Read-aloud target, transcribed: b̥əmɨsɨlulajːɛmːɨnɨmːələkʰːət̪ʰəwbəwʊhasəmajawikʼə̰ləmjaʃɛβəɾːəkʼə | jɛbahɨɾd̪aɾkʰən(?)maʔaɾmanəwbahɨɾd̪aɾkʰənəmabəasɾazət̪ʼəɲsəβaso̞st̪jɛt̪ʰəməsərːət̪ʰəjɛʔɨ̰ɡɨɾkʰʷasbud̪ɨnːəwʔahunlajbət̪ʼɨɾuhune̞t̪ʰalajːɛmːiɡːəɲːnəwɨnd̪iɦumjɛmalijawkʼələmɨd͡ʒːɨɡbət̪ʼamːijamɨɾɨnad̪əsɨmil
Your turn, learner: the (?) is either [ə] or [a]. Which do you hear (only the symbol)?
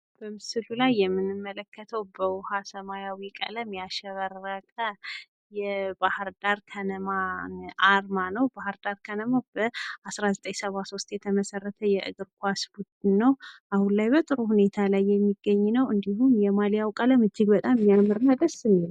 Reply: ə